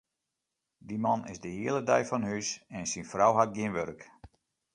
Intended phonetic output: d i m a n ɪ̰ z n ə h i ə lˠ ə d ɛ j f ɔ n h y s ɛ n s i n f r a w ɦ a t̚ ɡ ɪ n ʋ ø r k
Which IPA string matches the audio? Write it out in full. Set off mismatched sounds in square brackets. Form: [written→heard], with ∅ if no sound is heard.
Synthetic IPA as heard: d i m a n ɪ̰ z [n→d] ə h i ə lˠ ə d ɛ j f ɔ n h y s ɛ n s i n f r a w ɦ a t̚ ɡ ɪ n ʋ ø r k